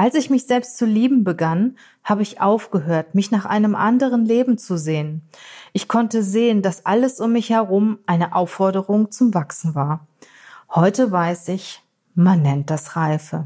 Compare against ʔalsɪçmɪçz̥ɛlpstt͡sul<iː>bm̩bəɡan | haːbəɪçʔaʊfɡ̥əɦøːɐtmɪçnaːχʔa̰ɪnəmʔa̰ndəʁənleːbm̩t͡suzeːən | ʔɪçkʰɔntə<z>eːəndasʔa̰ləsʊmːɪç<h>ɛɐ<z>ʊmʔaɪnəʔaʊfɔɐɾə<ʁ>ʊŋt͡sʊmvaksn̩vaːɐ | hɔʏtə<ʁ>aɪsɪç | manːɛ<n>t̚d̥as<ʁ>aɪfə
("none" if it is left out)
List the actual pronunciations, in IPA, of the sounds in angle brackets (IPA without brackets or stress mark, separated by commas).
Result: iː, z, h, ʁ, ʁ, v, n, ʁ